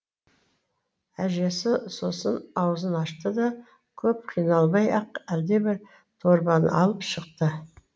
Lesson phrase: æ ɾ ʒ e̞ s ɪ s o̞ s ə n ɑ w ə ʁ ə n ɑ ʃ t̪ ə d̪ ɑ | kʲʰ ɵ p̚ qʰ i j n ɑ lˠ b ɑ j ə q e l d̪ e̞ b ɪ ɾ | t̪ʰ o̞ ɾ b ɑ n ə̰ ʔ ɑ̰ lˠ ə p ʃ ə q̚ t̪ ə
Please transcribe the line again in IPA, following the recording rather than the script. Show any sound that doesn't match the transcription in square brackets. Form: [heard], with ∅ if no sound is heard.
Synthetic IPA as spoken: æ [∅] ʒ e̞ s ɪ s o̞ s ə n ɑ w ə [z] ə n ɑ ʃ t̪ ə d̪ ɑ | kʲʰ ɵ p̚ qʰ i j n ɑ lˠ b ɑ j [ɑ] q [æ] l d̪ e̞ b ɪ ɾ | t̪ʰ o̞ ɾ b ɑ n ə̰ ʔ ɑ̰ lˠ ə p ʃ ə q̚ t̪ ə